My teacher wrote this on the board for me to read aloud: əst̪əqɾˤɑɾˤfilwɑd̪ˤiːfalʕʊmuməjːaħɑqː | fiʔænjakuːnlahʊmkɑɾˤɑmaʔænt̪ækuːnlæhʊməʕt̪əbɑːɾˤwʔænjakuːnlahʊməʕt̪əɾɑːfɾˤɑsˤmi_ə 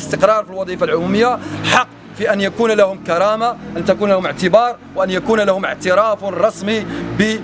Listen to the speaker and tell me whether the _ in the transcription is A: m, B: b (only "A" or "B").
B